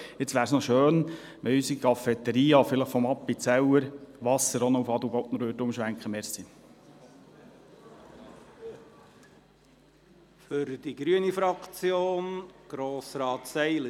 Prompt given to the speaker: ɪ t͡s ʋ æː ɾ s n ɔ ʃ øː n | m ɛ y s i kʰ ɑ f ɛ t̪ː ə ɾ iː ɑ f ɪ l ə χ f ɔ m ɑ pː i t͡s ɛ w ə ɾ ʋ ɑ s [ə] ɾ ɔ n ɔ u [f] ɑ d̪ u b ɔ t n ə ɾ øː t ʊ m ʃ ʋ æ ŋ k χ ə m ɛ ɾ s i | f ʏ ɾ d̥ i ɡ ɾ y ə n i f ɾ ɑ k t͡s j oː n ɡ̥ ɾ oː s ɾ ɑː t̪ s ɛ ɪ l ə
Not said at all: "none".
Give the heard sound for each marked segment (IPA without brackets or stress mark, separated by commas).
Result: ə, f